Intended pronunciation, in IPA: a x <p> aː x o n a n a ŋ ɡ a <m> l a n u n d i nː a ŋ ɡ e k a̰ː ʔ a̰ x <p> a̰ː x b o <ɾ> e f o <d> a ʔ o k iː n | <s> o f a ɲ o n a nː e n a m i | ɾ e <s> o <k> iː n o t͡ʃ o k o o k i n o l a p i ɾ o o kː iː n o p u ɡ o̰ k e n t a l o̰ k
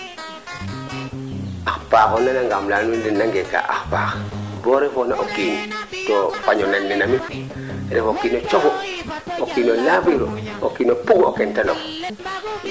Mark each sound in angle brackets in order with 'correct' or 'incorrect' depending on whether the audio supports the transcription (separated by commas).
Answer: correct, correct, correct, correct, incorrect, incorrect, incorrect, correct